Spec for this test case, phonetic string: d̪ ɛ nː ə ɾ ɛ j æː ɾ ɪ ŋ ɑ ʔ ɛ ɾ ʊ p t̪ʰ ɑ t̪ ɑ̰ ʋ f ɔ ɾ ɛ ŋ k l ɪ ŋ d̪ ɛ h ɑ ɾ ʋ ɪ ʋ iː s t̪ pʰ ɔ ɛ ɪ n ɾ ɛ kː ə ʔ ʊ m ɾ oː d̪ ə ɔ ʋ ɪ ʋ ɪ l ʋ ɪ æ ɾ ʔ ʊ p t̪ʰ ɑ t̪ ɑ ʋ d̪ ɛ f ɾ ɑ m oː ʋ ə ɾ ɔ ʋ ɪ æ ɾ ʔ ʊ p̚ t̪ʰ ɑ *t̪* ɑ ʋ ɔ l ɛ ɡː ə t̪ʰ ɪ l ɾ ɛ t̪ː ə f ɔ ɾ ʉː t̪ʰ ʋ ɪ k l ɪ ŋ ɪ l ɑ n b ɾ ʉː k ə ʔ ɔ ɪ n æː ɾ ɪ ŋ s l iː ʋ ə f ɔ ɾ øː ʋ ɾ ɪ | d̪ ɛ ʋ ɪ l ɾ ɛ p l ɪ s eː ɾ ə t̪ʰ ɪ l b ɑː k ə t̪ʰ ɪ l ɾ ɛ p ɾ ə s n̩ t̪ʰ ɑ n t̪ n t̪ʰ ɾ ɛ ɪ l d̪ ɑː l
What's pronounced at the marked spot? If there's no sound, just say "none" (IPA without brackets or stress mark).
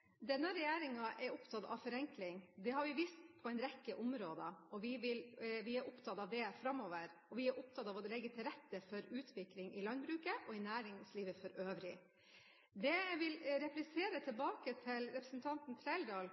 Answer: t̪